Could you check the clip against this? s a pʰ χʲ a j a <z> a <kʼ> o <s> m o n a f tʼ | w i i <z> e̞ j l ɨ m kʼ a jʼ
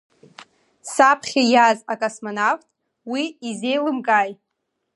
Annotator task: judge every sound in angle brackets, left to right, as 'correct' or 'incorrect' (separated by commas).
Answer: correct, correct, correct, correct